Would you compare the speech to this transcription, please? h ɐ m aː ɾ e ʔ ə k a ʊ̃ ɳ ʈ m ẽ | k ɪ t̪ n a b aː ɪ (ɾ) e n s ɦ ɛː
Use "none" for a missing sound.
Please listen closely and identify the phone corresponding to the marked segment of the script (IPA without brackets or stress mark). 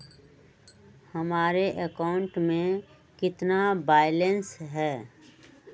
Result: l